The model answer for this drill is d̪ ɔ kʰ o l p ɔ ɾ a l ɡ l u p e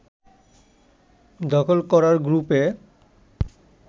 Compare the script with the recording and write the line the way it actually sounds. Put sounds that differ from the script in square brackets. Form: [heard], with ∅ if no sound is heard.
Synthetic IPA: d̪ ɔ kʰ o l [k] ɔ ɾ a [ɾ] ɡ [ɾ] u p e